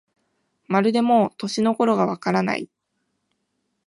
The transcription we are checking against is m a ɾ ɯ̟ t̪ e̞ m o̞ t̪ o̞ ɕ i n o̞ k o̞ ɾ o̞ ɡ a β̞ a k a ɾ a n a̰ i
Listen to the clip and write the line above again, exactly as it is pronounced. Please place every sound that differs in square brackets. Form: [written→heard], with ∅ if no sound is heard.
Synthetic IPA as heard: m a ɾ ɯ̟ [t̪→d̪] e̞ m o̞ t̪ o̞ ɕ i n o̞ k o̞ ɾ o̞ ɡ a β̞ a k a ɾ a n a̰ i